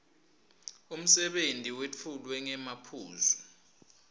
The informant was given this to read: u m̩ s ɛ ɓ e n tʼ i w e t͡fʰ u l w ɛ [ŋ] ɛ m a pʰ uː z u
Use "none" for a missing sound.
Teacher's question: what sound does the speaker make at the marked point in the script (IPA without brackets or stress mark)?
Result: ŋ